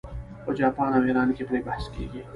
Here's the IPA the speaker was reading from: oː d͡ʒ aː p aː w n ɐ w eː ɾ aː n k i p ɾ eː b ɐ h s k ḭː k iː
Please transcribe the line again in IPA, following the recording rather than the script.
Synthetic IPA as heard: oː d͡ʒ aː p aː n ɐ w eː ɾ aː n k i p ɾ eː b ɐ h s k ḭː ɡ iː